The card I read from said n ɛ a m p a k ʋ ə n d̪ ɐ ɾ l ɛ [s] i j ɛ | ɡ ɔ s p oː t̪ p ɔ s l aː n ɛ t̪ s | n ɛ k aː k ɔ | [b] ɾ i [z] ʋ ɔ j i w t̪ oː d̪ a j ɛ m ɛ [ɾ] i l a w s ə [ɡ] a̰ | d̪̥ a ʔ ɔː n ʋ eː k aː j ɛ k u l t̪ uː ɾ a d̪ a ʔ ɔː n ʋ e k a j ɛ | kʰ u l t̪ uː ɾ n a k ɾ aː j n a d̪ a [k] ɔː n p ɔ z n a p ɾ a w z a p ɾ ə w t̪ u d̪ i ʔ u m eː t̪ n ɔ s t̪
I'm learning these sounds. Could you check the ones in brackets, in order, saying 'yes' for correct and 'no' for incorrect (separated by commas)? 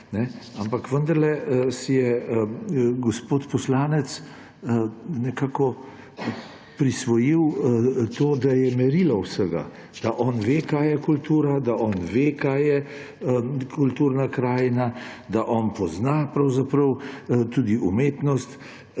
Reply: yes, no, no, yes, yes, no